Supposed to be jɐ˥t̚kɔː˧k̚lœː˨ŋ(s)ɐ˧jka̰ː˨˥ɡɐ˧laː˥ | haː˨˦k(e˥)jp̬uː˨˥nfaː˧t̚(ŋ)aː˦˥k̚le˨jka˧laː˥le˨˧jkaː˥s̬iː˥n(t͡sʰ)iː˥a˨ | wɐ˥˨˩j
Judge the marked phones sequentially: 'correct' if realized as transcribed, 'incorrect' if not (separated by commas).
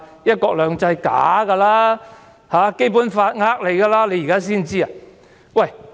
incorrect, correct, correct, incorrect